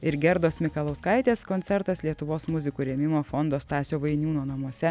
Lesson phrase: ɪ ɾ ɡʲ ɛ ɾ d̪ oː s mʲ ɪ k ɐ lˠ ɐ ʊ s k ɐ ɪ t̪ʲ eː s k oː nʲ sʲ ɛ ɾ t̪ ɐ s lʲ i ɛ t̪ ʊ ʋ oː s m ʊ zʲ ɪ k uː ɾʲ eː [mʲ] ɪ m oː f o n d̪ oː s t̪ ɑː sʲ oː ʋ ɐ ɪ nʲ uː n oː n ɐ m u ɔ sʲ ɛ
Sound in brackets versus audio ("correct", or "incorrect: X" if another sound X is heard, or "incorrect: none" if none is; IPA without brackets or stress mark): correct